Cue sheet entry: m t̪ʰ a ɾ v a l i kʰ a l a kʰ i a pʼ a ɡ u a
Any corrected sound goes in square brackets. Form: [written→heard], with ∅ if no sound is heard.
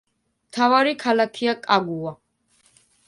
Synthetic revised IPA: m t̪ʰ a [ɾ→∅] v a [l→ɾ] i kʰ a l a kʰ i a [pʼ→kʼ] a ɡ u a